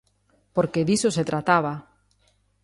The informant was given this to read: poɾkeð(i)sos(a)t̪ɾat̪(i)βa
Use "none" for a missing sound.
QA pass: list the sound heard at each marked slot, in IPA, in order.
i, e, a

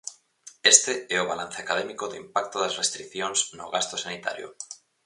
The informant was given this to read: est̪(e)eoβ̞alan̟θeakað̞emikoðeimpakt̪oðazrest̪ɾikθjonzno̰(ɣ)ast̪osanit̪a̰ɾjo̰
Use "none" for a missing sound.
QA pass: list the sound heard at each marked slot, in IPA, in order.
e, ɣ

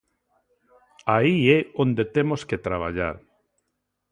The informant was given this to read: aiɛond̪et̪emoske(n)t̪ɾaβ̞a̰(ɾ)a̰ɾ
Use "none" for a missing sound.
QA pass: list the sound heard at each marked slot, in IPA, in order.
none, ʎ

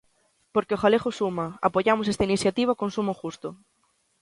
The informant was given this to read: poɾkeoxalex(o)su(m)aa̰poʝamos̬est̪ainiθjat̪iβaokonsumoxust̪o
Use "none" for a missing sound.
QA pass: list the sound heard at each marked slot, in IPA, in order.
o, m

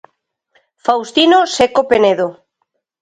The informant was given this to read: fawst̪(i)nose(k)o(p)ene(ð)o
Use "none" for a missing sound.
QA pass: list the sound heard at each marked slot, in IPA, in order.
i, k, p, ð

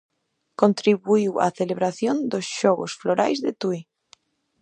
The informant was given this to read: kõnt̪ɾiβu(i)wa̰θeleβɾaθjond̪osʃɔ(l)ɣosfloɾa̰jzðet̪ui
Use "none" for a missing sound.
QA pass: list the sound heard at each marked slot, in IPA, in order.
i, none

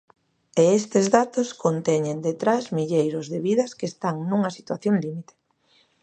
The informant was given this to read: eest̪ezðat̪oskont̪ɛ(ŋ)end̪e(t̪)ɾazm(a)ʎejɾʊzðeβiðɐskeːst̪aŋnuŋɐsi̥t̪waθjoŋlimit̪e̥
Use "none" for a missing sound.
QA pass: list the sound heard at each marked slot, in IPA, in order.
ɲ, t̪, i

